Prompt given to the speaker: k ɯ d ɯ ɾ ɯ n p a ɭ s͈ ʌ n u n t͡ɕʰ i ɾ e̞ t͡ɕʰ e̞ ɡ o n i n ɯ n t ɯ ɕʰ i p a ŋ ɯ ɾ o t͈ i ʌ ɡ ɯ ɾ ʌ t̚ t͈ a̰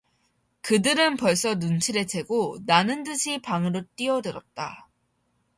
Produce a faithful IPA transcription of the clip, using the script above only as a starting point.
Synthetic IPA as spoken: k ɯ d ɯ ɾ ɯ n p ʌ ɭ s͈ ʌ n u n t͡ɕʰ i ɾ e̞ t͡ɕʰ e̞ ɡ o n a n ɯ n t ɯ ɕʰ i p a ŋ ɯ ɾ o t͈ i ʌ d ɯ ɾ ʌ t̚ t͈ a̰